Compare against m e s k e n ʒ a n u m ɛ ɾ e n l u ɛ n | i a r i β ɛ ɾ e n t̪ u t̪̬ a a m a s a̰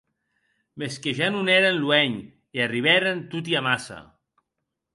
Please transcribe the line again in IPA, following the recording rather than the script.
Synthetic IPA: m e s k e ʒ a n u n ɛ ɾ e n l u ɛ ɲ | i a r i β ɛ ɾ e n t̪ u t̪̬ i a m a s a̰

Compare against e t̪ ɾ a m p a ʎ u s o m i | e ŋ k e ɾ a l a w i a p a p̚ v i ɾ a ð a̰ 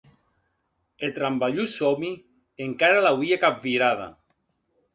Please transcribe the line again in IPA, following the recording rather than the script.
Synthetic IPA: e t̪ ɾ a m b a ʎ u s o m i | e ŋ k a ɾ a l a w i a k a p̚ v i ɾ a ð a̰

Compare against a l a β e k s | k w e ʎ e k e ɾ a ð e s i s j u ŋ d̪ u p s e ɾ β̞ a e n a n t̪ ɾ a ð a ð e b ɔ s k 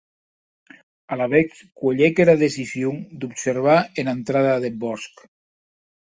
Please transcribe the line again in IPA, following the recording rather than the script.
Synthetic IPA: a l a β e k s | k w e ʎ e k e ɾ a ð e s i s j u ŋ d̪ u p s e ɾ β̞ a e n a n t̪ ɾ a ð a ð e b ɔ s k

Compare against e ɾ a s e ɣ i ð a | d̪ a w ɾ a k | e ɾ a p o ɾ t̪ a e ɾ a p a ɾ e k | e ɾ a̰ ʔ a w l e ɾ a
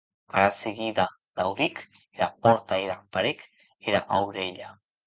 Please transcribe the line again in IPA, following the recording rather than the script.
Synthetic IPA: a ɾ a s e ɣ i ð a | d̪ a w ɾ i k | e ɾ a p o ɾ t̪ a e ɾ a p a ɾ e k | e ɾ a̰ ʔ a w ɾ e ʎ a

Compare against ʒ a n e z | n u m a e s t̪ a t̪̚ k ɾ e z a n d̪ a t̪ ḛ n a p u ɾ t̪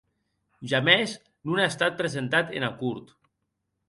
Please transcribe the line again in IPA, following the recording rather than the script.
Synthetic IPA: ʒ a m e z | n u n a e s t̪ a t̪̚ p ɾ e z e n t̪ a t̪ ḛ n a k u ɾ t̪

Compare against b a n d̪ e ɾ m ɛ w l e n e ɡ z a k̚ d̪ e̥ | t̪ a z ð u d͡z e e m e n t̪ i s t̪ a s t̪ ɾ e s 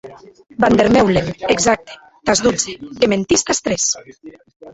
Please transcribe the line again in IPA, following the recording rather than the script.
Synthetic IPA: b a n d̪ e ɾ m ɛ w l e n e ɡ z a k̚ t̪ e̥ | t̪ a z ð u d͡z e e m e n t̪ i s t̪ a s t̪ ɾ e s

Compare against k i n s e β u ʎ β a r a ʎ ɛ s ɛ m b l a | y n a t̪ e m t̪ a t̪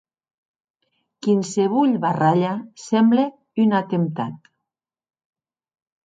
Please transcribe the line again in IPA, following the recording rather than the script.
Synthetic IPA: k i n s e β u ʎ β a r a ʎ a s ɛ m b l e | y n a t̪ e m t̪ a t̪

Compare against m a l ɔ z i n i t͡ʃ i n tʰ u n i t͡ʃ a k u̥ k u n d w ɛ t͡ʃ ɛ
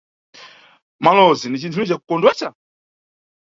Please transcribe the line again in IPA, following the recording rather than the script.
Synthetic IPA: m a l ɔ z i n i t͡ʃ i n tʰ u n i t͡ʃ a k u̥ k ɔ n d w ɛ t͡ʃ a

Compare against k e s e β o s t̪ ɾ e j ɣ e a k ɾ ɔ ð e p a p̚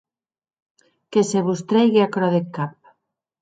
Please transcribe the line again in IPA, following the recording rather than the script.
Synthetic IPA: k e s e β u s t̪ ɾ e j ɣ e a k ɾ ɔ ð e k a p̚

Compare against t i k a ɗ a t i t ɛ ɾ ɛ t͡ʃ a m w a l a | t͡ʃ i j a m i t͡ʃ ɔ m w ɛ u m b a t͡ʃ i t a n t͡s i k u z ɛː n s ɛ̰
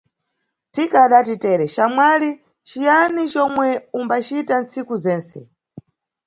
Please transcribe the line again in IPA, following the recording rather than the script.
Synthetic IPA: t i k a ɗ a t i t ɛ ɾ ɛ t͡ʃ a m w a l i | t͡ʃ i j a n i t͡ʃ ɔ m w ɛ u m b a t͡ʃ i t a n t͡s i k u z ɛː n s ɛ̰

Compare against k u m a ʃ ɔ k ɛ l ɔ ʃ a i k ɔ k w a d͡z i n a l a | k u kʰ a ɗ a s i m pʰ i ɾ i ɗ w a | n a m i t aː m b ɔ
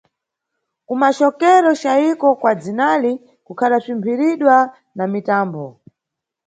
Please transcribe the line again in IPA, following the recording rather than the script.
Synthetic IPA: k u m a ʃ ɔ k ɛ ɾ ɔ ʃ a i k ɔ k w a d͡z i n a l i | k u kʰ a ɗ a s i m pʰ i ɾ i ɗ w a | n a m i t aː m b ɔ

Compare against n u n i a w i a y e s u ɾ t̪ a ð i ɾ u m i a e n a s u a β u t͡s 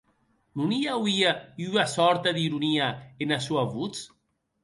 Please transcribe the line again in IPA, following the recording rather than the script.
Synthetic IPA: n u n i a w i a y a s ɔ ɾ t̪ a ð i ɾ u n i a e n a s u a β u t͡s

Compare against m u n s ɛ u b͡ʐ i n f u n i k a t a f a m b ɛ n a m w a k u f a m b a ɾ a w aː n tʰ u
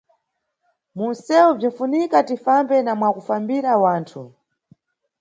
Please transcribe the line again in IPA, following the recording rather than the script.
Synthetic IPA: m u n s ɛ u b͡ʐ i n f u n i k a t i f a m b ɛ n a m w a k u f a m b i ɾ a w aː n tʰ u

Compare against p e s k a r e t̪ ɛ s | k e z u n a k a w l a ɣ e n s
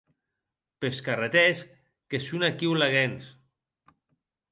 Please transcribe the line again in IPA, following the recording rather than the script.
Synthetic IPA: p e s k a r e t̪ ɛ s | k e s u n a k i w l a ɣ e n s

